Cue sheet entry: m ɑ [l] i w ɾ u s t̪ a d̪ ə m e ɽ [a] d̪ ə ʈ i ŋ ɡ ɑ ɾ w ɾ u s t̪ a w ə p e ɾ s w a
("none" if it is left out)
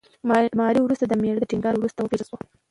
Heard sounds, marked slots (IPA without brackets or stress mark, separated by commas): ɾ, ə